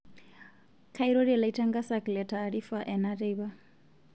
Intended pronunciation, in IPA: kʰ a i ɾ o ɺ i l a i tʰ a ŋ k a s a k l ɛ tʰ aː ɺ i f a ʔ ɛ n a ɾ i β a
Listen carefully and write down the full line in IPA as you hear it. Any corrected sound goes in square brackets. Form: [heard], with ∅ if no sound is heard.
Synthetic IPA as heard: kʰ a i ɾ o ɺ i l a i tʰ a ŋ [ɡ] a s a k l ɛ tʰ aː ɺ i f a ʔ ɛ n a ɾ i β a

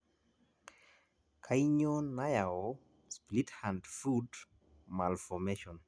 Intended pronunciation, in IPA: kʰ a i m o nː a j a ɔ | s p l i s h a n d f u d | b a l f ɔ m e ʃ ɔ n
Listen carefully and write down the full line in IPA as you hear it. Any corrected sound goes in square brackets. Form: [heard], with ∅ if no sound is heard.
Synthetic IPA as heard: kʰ a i [ɲ] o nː a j a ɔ | s p l i [t] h a n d f u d | [m] a l f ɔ m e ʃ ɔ n

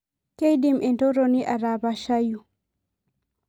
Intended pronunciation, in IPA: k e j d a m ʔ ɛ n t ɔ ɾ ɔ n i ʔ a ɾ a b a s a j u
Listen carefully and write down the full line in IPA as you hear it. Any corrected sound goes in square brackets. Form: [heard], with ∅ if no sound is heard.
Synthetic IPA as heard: k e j d [i] m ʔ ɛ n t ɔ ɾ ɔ n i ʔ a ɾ a b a [ʃ] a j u

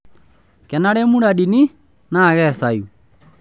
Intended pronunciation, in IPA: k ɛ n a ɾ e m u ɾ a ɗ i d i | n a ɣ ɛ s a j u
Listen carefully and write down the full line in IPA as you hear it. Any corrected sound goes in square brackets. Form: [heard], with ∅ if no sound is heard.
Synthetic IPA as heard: k ɛ n a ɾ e m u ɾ a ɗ i [n] i | n a ɣ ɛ s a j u

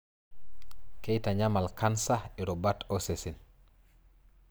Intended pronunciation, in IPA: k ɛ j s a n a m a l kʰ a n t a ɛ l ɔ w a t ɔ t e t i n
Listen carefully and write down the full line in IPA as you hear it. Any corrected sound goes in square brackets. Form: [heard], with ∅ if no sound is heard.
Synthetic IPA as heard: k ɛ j [t] a [ɲ] a m a l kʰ a n [s] a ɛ [ɾ] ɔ [b] a t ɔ [s] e [s] i n

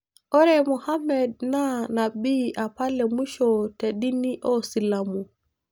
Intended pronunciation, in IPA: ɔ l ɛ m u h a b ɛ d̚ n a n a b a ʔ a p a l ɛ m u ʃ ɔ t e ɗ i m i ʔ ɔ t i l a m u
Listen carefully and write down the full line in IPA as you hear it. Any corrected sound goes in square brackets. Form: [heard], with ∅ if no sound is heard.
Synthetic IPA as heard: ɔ [ɾ] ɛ m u h a [m] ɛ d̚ n a n a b [i] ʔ a p a l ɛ m u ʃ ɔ t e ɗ i [n] i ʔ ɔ [s] i l a m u

